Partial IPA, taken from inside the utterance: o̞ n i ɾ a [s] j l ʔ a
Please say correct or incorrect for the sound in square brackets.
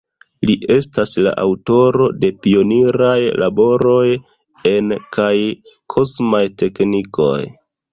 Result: incorrect